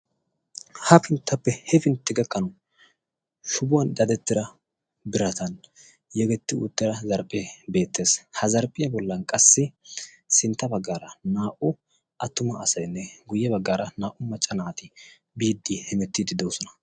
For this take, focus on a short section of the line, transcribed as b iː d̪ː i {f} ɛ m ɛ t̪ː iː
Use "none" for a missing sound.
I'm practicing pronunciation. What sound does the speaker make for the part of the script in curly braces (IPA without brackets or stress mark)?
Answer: h